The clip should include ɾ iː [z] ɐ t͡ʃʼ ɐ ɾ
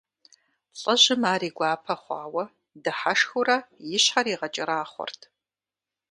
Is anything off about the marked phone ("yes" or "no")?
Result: yes